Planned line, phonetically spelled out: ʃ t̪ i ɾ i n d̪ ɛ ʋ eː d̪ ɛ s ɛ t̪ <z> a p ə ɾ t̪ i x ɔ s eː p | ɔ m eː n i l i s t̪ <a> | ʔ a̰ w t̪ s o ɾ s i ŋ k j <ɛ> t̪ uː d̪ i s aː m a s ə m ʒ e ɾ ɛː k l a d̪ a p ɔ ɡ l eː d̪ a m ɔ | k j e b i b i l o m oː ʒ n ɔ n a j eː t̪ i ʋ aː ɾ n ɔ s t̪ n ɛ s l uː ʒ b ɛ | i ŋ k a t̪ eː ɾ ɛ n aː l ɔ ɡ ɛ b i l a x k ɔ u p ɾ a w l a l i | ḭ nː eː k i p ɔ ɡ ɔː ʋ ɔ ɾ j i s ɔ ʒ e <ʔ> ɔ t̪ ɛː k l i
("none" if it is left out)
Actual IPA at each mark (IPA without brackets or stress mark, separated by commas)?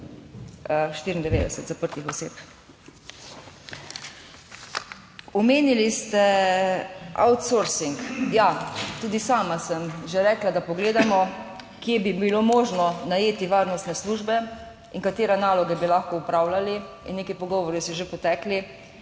z, ɛ, a, p